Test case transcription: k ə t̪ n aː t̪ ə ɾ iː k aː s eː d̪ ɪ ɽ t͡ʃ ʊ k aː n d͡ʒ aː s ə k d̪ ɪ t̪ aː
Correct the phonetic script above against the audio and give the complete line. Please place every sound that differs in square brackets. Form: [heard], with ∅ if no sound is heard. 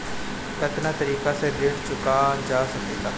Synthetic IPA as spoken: k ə t̪ n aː t̪ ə ɾ iː k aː s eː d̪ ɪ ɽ t͡ʃ ʊ k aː n d͡ʒ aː s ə k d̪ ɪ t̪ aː